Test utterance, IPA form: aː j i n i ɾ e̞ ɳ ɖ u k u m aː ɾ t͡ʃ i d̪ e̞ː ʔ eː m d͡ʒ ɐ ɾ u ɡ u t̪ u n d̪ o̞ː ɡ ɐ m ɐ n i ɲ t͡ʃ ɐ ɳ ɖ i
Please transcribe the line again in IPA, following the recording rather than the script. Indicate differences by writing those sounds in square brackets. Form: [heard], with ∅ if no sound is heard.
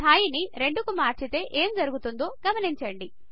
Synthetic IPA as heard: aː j i n i ɾ e̞ ɳ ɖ u k u m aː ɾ t͡ʃ i [t̪] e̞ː ʔ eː m d͡ʒ ɐ ɾ u ɡ u t̪ u n d̪ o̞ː ɡ ɐ m ɐ n i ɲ t͡ʃ ɐ ɳ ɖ i